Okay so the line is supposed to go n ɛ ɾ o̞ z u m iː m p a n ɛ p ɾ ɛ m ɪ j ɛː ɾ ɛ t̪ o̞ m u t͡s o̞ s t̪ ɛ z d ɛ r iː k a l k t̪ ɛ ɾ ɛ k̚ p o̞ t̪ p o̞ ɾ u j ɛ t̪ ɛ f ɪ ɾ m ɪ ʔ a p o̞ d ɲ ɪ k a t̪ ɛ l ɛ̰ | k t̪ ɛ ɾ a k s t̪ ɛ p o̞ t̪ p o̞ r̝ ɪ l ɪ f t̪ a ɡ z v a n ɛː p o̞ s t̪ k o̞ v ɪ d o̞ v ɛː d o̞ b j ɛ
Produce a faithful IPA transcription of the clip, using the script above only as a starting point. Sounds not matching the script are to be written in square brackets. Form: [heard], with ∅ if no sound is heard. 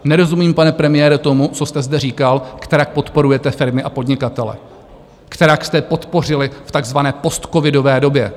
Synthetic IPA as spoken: n ɛ ɾ o̞ z u m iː m p a n ɛ p ɾ ɛ m ɪ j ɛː ɾ ɛ t̪ o̞ m u t͡s o̞ s t̪ ɛ z d ɛ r iː k a l k t̪ ɛ ɾ [a] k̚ p o̞ t̪ p o̞ ɾ u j ɛ t̪ ɛ f ɪ ɾ m ɪ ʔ a p o̞ d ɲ ɪ k a t̪ ɛ l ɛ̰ | k t̪ ɛ ɾ a k s t̪ ɛ p o̞ t̪ p o̞ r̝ ɪ l ɪ f t̪ a ɡ z v a n ɛː p o̞ s t̪ k o̞ v ɪ d o̞ v ɛː d o̞ b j ɛ